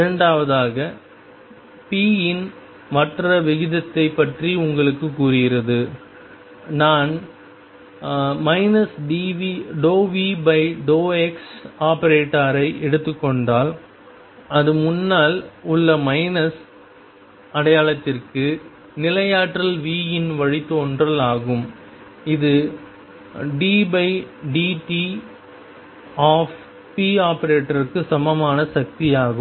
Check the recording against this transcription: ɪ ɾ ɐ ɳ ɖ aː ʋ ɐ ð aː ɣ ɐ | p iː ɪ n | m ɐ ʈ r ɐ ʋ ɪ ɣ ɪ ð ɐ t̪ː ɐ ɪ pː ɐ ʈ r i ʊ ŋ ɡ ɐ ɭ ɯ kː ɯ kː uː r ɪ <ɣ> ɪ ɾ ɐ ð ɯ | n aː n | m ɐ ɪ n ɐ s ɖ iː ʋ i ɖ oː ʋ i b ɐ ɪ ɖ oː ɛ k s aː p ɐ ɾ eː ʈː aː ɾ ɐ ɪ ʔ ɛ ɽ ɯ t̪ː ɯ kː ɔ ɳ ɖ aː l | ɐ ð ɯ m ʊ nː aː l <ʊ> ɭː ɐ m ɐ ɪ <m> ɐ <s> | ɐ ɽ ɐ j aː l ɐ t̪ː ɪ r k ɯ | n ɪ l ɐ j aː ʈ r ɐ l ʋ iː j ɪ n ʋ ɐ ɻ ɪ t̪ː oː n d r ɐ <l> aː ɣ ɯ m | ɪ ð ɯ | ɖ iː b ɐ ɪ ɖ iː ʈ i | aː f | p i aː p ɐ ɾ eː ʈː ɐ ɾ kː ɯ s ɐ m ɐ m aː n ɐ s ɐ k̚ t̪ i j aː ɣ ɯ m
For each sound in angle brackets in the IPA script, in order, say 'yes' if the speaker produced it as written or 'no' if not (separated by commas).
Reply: yes, yes, no, yes, yes